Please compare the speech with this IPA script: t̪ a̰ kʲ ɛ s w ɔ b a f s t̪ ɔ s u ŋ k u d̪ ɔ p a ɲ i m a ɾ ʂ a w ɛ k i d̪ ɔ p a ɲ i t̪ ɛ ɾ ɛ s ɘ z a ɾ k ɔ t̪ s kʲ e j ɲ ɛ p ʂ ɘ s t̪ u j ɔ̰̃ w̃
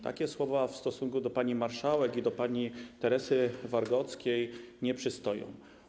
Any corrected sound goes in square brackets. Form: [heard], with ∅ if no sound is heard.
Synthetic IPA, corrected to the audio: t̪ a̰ kʲ ɛ s w ɔ [v] a f s t̪ ɔ s u ŋ k u d̪ ɔ p a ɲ i m a ɾ ʂ a w ɛ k i d̪ ɔ p a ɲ i t̪ ɛ ɾ ɛ s ɘ [v] a ɾ [ɡ] ɔ t̪ s kʲ e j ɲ ɛ p ʂ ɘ s t̪ [ɔ] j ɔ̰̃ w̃